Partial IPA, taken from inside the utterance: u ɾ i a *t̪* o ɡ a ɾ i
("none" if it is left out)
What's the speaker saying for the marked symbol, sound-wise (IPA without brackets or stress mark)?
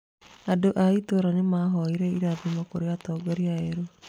t̪